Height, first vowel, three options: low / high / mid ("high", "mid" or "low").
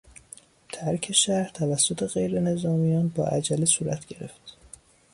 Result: low